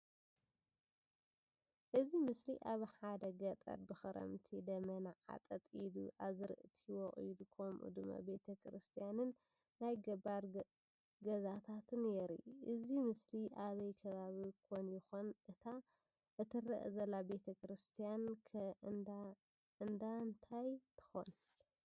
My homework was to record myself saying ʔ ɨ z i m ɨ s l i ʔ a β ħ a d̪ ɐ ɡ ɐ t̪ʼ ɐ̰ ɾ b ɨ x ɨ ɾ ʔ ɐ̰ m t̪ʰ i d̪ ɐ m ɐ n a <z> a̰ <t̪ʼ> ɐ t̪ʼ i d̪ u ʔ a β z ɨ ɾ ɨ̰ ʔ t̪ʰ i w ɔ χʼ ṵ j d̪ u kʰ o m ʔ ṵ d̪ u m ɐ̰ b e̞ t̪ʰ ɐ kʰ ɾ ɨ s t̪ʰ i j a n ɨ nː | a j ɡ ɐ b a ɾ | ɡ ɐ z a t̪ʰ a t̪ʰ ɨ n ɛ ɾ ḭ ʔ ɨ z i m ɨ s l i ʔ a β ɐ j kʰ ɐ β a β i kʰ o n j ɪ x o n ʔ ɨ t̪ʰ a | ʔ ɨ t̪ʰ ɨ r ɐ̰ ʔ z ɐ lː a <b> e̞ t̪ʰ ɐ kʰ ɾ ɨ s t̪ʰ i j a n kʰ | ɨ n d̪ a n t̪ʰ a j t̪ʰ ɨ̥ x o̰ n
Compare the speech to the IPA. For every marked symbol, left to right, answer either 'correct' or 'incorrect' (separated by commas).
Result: incorrect, correct, correct